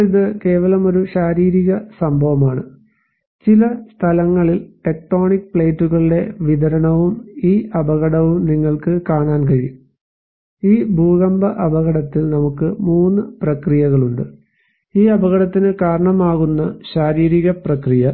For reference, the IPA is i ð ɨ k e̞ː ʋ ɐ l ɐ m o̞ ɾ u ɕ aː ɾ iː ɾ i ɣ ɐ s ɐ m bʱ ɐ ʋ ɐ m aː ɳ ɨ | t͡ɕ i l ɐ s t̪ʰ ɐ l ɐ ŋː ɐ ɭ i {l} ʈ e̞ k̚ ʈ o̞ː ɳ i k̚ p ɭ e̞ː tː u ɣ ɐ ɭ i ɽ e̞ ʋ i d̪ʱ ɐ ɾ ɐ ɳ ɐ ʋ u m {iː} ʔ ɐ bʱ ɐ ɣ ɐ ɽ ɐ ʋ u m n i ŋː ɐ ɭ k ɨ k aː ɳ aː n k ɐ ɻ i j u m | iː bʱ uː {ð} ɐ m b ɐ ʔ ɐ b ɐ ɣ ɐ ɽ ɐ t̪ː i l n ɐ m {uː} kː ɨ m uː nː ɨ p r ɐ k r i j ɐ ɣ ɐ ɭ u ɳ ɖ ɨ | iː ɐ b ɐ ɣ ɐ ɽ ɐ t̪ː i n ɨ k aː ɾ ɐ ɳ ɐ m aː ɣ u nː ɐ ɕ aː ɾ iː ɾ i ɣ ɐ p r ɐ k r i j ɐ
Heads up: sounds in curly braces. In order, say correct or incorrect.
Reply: correct, correct, incorrect, incorrect

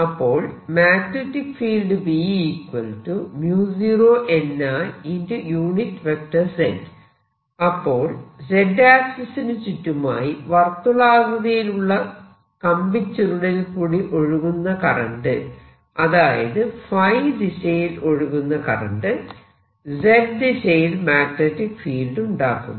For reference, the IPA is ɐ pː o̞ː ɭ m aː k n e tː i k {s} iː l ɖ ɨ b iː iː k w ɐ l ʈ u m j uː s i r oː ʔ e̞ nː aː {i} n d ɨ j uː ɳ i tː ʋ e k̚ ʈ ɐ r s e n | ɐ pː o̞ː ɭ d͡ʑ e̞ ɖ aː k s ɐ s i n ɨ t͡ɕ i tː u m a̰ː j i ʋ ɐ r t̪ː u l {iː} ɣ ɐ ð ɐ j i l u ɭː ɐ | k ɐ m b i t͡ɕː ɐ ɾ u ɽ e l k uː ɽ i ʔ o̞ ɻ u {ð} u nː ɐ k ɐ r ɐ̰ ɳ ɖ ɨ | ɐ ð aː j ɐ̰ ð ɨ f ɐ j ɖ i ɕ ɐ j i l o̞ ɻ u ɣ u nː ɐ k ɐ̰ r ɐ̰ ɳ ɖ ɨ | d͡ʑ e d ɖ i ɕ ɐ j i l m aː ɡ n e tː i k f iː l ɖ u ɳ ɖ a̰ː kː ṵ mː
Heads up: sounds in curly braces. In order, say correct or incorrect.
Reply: incorrect, correct, incorrect, incorrect

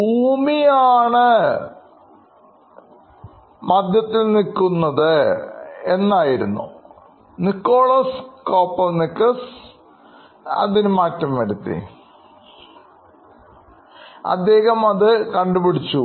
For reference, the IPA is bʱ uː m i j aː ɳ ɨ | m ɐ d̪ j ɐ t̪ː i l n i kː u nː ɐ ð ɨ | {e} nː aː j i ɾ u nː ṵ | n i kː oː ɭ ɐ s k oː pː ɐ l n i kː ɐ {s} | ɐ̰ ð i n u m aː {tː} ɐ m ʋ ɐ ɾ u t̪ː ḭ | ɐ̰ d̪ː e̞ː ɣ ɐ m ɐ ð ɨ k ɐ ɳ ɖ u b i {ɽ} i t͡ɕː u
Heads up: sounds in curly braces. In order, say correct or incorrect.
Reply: correct, correct, correct, correct

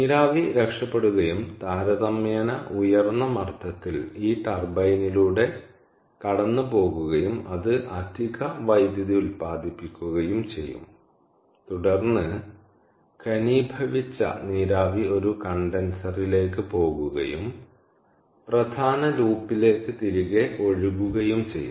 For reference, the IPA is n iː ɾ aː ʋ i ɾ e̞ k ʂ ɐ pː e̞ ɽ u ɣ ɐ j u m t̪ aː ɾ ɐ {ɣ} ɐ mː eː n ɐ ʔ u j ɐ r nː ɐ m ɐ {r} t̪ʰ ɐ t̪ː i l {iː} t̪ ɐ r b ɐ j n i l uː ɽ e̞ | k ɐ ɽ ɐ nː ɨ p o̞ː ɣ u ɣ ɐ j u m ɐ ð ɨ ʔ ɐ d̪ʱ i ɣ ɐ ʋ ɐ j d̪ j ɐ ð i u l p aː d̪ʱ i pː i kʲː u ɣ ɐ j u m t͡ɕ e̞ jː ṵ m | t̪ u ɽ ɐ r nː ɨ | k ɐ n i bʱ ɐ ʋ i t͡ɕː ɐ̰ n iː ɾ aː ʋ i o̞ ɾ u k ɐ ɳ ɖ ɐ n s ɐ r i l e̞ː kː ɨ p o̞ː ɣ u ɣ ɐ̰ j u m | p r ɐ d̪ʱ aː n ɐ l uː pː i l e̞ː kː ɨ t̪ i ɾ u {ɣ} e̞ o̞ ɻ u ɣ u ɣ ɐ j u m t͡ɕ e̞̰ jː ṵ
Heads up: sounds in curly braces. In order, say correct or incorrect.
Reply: incorrect, correct, correct, correct

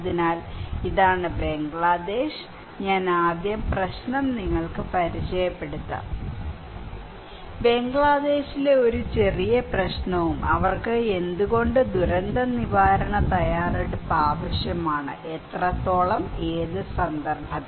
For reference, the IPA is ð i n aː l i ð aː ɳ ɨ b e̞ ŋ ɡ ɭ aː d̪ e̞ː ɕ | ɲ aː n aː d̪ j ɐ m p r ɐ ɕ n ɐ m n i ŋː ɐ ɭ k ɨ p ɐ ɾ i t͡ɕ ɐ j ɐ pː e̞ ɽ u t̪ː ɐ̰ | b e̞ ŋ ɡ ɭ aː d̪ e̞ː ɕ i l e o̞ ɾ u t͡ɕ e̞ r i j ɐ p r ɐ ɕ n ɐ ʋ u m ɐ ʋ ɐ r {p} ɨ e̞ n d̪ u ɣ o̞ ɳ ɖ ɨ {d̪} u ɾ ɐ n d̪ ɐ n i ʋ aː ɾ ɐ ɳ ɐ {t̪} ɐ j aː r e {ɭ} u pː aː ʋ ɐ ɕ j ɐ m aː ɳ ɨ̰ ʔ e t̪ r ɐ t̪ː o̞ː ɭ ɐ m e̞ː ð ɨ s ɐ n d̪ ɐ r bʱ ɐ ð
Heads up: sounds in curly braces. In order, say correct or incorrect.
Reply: incorrect, correct, correct, incorrect

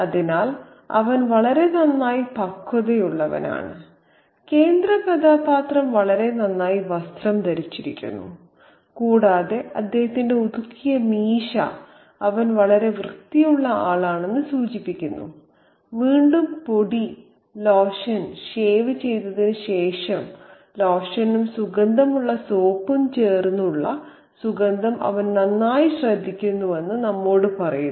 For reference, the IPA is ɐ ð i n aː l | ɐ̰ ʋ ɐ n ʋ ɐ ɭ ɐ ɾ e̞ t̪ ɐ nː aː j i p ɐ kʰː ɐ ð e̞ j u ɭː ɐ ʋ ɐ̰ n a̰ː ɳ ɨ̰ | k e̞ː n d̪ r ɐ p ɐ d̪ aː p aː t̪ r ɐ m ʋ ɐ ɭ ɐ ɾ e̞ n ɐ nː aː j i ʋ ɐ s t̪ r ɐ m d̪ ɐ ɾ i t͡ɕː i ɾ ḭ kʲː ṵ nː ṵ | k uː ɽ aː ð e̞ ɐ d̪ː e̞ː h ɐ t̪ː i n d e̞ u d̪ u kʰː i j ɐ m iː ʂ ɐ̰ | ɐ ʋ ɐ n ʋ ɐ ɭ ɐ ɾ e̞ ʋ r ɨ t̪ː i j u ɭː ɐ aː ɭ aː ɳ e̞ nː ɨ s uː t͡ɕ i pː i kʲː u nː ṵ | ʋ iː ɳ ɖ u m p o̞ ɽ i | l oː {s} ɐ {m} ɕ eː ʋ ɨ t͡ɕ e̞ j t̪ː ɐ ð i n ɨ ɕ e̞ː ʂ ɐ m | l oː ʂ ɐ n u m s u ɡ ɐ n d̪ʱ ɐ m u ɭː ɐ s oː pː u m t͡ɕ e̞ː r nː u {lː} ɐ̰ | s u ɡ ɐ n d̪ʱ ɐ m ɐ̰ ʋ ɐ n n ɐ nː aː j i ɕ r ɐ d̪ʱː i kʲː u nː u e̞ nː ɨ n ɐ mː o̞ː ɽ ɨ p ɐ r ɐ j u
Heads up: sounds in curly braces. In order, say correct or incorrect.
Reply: incorrect, incorrect, incorrect

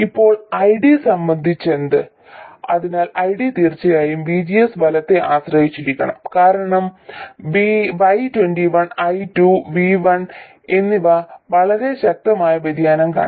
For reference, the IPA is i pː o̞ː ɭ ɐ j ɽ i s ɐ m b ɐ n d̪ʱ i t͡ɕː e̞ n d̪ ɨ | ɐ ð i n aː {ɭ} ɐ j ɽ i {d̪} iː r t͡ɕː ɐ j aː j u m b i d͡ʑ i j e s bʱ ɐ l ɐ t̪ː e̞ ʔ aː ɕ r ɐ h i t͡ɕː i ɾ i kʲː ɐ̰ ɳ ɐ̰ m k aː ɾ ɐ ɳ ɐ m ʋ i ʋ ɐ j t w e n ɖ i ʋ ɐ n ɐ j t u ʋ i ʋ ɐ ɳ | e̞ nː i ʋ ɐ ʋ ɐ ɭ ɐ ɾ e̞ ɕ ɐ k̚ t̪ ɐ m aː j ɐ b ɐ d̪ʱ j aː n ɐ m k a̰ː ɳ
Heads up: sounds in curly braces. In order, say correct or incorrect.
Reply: incorrect, incorrect

